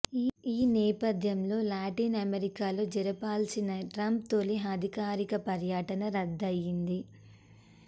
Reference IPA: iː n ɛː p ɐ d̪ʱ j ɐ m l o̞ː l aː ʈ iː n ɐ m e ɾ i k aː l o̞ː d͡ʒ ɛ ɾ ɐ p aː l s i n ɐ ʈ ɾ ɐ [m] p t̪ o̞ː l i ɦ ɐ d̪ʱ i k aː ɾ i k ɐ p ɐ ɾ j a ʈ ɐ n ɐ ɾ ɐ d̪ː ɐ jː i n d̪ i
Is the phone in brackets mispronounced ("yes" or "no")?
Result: no